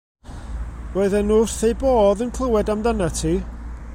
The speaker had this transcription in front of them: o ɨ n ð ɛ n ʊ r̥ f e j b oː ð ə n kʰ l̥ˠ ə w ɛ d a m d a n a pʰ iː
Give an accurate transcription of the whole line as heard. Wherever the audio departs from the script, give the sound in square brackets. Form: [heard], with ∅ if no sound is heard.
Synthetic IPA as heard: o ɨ [∅] ð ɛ n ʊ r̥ [θ] e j b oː ð ə n kʰ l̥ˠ ə w ɛ d a m d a n a [tʰ] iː